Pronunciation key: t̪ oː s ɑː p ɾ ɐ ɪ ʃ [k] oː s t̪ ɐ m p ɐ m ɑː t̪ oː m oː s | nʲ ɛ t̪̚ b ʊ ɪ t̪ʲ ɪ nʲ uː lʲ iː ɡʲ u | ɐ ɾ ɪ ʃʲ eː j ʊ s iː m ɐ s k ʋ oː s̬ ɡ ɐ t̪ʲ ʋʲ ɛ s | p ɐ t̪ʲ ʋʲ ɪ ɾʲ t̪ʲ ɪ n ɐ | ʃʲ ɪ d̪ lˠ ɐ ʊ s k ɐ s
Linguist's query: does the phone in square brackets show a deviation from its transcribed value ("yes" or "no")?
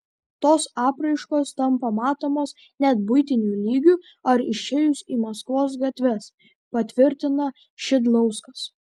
no